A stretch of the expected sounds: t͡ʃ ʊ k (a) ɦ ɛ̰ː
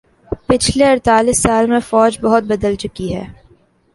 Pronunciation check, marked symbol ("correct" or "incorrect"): incorrect